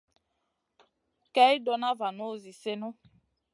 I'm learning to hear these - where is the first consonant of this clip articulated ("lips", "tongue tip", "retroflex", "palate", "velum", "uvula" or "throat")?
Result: velum